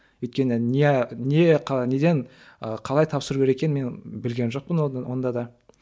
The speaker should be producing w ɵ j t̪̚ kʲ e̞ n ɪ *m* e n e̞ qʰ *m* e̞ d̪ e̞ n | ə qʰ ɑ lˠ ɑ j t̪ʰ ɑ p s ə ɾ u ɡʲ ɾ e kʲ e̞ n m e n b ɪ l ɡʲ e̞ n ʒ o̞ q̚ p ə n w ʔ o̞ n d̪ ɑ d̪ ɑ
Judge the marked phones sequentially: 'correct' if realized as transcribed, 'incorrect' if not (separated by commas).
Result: incorrect, incorrect